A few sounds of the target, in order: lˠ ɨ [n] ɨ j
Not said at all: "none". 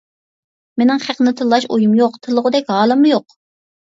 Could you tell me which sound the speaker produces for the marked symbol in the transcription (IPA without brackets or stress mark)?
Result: m